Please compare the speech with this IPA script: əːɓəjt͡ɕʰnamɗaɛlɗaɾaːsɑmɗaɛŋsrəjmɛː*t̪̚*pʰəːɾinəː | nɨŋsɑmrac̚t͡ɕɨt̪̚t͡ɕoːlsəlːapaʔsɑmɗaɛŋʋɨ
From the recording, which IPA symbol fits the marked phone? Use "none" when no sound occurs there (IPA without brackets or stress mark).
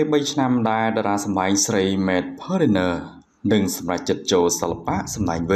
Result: t̪̚